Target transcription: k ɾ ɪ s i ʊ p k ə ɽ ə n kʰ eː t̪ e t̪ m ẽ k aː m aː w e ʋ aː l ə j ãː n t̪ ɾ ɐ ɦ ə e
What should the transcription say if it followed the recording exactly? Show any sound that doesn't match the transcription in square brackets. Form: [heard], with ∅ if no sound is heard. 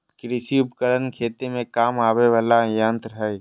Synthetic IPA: k ɾ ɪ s i ʊ p k ə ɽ ə n kʰ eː t̪ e [∅] m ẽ k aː m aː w e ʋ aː l [a] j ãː n t̪ ɾ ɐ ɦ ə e